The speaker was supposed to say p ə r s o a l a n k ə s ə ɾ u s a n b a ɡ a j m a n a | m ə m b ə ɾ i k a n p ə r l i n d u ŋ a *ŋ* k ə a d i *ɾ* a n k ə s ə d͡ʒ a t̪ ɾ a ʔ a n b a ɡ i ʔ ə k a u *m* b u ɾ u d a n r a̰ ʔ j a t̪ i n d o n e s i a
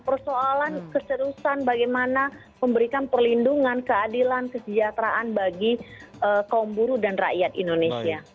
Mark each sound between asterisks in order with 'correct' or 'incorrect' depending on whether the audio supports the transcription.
incorrect: n, incorrect: l, correct

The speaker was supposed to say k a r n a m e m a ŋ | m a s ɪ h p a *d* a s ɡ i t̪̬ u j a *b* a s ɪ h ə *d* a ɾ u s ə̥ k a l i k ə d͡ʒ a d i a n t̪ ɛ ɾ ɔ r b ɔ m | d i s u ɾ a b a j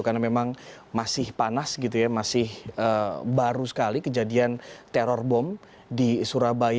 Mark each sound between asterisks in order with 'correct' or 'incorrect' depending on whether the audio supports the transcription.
incorrect: n, incorrect: m, incorrect: b

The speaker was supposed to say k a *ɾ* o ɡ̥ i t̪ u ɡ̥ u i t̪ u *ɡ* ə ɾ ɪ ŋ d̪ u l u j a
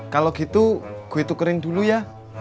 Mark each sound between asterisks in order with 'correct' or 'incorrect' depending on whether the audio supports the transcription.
incorrect: l, incorrect: k

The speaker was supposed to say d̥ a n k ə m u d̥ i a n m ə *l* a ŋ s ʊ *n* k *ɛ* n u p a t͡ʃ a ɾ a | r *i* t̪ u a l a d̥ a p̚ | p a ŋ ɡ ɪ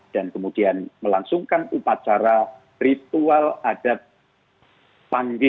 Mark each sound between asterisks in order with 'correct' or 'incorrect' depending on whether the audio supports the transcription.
correct, incorrect: ŋ, incorrect: a, correct

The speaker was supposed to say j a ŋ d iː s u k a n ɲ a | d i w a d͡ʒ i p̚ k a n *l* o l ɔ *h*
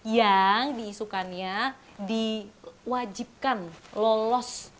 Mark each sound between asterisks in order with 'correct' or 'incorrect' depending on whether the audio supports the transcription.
correct, incorrect: s

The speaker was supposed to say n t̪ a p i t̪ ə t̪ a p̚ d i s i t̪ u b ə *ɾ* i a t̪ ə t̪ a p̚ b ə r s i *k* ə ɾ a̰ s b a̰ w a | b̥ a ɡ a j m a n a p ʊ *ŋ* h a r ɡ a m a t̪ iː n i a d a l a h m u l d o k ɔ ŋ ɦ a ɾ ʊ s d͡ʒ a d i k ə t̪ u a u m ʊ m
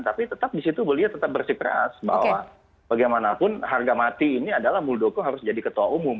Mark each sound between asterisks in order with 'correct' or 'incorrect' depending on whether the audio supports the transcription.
incorrect: l, correct, incorrect: n

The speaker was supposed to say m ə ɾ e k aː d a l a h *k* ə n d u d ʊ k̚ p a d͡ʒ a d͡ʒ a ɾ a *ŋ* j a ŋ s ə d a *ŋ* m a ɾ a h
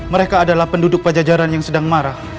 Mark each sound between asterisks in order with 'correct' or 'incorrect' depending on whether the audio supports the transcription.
incorrect: p, incorrect: n, correct

